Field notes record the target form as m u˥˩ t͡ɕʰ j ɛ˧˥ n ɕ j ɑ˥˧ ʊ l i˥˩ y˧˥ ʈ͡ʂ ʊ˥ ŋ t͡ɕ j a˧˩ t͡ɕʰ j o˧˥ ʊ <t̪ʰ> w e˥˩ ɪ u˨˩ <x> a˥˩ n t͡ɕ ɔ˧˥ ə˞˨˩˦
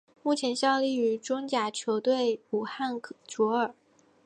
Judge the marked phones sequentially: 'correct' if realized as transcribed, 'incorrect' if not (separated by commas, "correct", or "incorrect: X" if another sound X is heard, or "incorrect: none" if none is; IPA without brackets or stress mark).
incorrect: t̪, correct